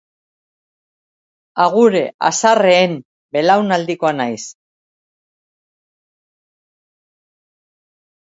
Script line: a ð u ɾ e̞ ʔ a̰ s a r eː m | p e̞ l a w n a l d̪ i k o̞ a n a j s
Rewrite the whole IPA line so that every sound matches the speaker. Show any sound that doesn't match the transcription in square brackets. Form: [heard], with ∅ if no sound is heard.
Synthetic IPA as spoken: a [ɣ] u ɾ e̞ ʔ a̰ s a r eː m | [b] e̞ l a w n a l d̪ i k o̞ a n a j s

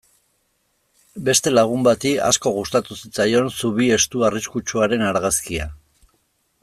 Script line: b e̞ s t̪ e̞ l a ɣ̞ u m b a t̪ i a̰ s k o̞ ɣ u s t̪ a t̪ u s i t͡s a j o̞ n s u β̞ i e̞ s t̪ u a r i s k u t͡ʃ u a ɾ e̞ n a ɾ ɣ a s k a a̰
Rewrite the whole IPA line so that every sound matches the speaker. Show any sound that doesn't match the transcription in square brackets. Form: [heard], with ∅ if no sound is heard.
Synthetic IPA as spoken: b e̞ s t̪ e̞ l a ɣ̞ u m b a t̪ i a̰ s k o̞ ɣ u s t̪ a t̪ u s i t͡s a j o̞ n s u β̞ i e̞ s t̪ u a r i s k u t͡ʃ u a ɾ e̞ n a ɾ ɣ a s k [i] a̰

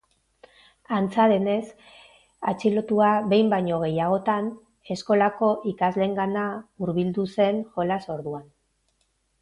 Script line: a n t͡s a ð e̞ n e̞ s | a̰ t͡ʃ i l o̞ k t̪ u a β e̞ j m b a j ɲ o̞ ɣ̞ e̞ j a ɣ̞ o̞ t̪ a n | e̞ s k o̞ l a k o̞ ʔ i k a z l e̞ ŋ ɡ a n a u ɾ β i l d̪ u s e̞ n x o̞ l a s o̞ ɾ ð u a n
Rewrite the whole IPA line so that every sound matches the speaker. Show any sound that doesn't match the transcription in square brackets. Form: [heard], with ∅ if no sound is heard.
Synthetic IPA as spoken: a n t͡s a ð e̞ n e̞ s | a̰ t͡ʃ i l o̞ [∅] t̪ u a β e̞ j m b a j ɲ o̞ ɣ̞ e̞ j a ɣ̞ o̞ t̪ a n | e̞ s k o̞ l a k o̞ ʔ i k a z l e̞ ŋ ɡ a n a u ɾ β i l d̪ u s e̞ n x o̞ l a s o̞ ɾ ð u a n

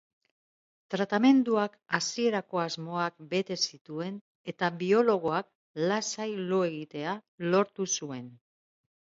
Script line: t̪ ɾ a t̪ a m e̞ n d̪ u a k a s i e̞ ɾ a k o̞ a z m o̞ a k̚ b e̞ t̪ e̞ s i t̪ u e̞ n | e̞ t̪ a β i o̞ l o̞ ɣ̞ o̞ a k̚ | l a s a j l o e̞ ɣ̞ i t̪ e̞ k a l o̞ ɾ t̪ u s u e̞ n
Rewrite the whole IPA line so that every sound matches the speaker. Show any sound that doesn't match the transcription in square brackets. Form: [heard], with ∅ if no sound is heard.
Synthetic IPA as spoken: t̪ ɾ a t̪ a m e̞ n d̪ u a k a s i e̞ ɾ a k o̞ a z m o̞ a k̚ b e̞ t̪ e̞ s i t̪ u e̞ n | e̞ t̪ a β i o̞ l o̞ ɣ̞ o̞ a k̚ | l a s a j l o e̞ ɣ̞ i t̪ e̞ [∅] a l o̞ ɾ t̪ u s u e̞ n

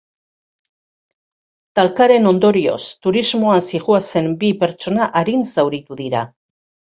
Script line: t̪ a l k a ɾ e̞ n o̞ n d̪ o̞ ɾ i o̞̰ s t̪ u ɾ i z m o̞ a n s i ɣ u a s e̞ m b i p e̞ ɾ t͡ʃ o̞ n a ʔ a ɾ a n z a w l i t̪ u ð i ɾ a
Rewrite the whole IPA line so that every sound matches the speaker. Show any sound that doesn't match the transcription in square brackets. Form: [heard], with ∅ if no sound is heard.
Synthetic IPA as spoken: t̪ a l k a ɾ e̞ n o̞ n d̪ o̞ ɾ i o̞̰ s t̪ u ɾ i z m o̞ a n s i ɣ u a s e̞ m b i p e̞ ɾ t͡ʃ o̞ n a ʔ a ɾ [i] n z a w [ɾ] i t̪ u ð i ɾ a

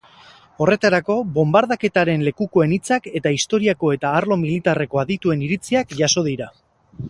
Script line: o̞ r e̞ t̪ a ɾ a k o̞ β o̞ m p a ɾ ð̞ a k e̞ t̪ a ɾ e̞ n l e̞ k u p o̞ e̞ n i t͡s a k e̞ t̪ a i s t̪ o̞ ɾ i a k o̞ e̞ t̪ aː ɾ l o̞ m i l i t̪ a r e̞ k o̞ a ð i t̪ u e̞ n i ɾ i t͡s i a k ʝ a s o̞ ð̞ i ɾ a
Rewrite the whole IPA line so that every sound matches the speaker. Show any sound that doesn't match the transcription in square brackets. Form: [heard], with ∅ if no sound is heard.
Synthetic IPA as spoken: o̞ r e̞ t̪ a ɾ a k o̞ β o̞ m [b] a ɾ ð̞ a k e̞ t̪ a ɾ e̞ n l e̞ k u [k] o̞ e̞ n i t͡s a k e̞ t̪ a i s t̪ o̞ ɾ i a k o̞ e̞ t̪ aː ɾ l o̞ m i l i t̪ a r e̞ k o̞ a ð i t̪ u e̞ n i ɾ i t͡s i a k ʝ a s o̞ ð̞ i ɾ a

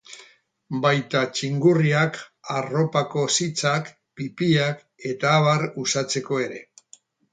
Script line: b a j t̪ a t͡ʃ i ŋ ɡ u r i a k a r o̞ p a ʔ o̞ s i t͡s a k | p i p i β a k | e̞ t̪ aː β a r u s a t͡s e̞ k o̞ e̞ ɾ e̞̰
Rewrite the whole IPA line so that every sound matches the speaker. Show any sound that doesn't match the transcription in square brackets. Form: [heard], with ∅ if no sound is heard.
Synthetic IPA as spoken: b a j t̪ a t͡ʃ i ŋ ɡ u r i a k a r o̞ p a [k] o̞ s i t͡s a k | p i p i [∅] a k | e̞ t̪ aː β a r u s a t͡s e̞ k o̞ e̞ ɾ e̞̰

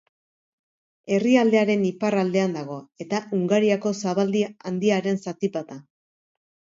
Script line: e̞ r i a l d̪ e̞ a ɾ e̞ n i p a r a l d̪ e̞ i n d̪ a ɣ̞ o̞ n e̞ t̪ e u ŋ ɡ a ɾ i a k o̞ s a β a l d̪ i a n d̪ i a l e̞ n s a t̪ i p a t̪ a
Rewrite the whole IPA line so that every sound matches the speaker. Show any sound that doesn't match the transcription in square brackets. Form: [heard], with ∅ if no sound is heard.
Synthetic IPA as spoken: e̞ r i a l d̪ e̞ a ɾ e̞ n i p a r a l d̪ e̞ [a] n d̪ a ɣ̞ o̞ [∅] e̞ t̪ [a] u ŋ ɡ a ɾ i a k o̞ s a β a l d̪ i a n d̪ i a [ɾ] e̞ n s a t̪ i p a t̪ a

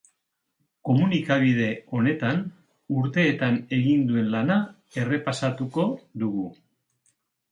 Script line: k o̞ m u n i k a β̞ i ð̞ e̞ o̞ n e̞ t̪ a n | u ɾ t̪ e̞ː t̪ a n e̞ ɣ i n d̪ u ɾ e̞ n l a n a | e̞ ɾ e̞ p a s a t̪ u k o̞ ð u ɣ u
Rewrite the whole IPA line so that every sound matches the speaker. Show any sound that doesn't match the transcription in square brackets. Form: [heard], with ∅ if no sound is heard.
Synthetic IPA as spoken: k o̞ m u n i k a β̞ i ð̞ e̞ o̞ n e̞ t̪ a n | u ɾ t̪ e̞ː t̪ a n e̞ ɣ i n d̪ u [∅] e̞ n l a n a | e̞ [r] e̞ p a s a t̪ u k o̞ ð u ɣ u

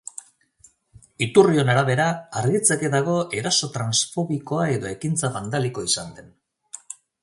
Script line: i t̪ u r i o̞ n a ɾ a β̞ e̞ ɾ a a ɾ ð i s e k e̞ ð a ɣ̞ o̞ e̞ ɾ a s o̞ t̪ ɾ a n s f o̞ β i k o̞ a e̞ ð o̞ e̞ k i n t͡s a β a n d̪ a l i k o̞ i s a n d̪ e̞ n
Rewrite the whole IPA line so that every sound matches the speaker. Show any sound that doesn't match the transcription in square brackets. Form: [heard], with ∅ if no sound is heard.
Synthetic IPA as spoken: i t̪ u r i o̞ n a ɾ a β̞ e̞ ɾ a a ɾ [ɣ] i [t͡s] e k e̞ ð a ɣ̞ o̞ e̞ ɾ a s o̞ t̪ ɾ a n s f o̞ β i k o̞ a e̞ ð o̞ e̞ k i n t͡s a β a n d̪ a l i k o̞ i s a n d̪ e̞ n

